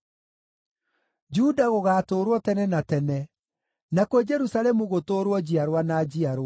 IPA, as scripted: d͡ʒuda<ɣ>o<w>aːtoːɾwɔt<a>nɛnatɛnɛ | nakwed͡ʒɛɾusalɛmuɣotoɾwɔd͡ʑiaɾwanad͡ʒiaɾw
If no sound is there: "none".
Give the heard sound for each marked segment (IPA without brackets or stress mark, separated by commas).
ɣ, ɣ, ɛ